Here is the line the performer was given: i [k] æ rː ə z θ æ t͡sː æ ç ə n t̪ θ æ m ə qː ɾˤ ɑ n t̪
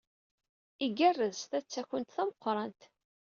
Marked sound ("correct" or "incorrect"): incorrect